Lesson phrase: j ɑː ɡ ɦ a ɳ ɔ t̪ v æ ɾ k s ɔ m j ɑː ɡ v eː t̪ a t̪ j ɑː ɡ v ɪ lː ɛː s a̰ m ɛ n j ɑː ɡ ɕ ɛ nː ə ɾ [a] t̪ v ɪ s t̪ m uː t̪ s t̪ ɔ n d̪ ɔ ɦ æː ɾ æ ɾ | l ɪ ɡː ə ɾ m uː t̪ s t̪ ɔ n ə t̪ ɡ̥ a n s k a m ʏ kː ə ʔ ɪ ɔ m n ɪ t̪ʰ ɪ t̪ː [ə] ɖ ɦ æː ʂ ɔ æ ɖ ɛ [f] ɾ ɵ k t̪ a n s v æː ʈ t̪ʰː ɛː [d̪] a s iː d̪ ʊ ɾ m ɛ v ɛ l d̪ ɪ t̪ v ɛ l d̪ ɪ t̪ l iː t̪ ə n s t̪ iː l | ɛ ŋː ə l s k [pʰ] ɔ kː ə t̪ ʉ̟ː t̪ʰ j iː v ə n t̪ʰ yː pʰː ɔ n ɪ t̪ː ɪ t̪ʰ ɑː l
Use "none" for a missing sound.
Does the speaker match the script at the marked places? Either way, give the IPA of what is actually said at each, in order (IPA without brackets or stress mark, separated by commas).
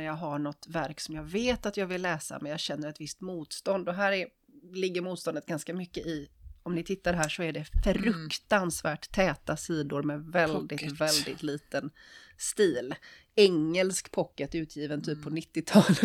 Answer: ɛ, a, f, t̪, pʰ